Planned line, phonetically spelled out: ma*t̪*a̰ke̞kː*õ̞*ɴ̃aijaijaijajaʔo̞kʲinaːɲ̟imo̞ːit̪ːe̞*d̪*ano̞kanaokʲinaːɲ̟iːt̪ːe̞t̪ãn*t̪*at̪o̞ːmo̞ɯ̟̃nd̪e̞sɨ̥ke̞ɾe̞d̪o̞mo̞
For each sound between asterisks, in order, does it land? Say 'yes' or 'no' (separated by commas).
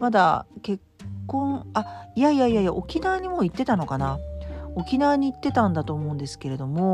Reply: no, yes, no, no